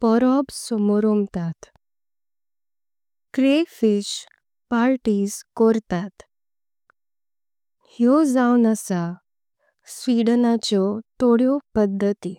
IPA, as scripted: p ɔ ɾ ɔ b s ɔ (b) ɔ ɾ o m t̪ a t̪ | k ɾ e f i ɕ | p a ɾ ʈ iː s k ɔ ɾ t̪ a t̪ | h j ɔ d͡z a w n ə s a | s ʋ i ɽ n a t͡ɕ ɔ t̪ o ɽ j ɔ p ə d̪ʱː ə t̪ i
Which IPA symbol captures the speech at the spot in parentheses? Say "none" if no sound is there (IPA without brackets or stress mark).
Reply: m